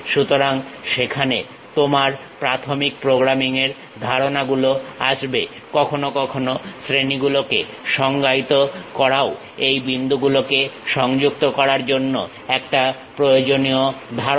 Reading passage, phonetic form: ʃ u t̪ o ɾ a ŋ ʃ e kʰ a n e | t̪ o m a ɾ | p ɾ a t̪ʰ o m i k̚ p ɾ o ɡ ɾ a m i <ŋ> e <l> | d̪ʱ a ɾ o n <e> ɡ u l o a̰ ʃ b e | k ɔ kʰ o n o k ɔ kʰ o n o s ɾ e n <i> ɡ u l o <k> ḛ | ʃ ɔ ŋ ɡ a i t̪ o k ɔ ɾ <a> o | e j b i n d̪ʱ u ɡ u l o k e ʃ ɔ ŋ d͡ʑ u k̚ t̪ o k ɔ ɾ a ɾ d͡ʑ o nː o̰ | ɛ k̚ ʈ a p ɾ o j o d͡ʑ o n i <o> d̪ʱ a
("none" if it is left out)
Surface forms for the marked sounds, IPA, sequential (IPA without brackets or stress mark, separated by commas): ŋ, ɾ, a, i, k, a, o